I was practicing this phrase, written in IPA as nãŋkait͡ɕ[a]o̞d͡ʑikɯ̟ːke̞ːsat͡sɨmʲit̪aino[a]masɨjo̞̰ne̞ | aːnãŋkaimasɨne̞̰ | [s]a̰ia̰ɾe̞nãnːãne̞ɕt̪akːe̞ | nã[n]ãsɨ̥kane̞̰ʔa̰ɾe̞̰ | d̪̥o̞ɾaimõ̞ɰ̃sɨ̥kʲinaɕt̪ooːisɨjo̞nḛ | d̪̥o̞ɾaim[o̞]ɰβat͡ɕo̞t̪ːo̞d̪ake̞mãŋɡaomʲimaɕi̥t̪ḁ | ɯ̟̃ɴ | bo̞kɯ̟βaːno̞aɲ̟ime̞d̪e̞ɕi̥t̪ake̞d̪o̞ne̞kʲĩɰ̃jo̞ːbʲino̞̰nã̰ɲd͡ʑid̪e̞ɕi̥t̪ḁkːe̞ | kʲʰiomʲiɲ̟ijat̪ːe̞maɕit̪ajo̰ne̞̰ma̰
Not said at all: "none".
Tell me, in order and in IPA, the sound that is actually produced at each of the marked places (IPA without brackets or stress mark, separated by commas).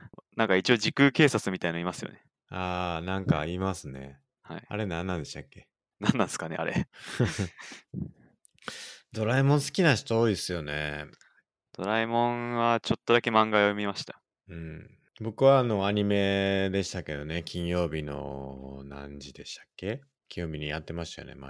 i, i, h, nː, õ̞